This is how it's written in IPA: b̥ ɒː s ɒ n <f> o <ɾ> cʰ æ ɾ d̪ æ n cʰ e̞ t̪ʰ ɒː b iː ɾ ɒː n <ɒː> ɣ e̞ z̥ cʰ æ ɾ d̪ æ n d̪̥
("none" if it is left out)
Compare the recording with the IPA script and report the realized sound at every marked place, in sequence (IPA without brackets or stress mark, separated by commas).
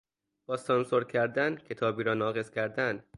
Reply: s, ɾ, ɒː